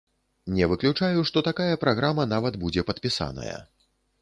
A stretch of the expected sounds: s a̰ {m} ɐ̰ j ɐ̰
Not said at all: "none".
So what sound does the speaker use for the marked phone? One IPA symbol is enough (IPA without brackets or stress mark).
n